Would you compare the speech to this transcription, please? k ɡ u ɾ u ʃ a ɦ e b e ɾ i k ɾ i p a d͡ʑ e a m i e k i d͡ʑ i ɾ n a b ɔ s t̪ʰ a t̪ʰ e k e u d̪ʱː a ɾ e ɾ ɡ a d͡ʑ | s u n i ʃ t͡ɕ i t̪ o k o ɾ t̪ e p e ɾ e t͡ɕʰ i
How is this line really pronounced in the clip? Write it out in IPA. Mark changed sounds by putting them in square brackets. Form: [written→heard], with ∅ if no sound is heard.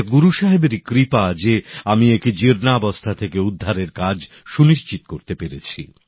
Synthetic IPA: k ɡ u ɾ u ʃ a ɦ e b e ɾ i k ɾ i p a d͡ʑ e a m i e k i d͡ʑ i ɾ n a b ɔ s t̪ʰ a t̪ʰ e k e u d̪ʱː a ɾ e ɾ [ɡ→k] a d͡ʑ | [s→ʃ] u n i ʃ t͡ɕ i t̪ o k o ɾ t̪ e p e ɾ e t͡ɕʰ i